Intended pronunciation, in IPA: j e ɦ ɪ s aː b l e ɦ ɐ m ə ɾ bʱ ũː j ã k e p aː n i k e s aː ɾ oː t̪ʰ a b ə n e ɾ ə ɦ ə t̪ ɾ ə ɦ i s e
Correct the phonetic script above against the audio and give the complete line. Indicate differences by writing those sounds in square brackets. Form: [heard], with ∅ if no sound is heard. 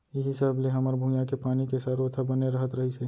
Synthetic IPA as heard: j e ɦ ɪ s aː b l e ɦ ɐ m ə ɾ bʱ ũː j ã k e p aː n i k e s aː ɾ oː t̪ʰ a b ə n e ɾ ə ɦ ə t̪ ɾ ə ɦ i s e